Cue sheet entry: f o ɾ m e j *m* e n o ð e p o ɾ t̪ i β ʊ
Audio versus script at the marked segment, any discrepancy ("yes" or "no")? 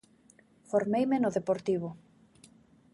no